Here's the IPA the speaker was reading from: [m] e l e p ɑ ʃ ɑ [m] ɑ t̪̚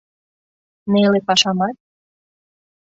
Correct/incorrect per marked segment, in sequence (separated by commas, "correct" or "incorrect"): incorrect, correct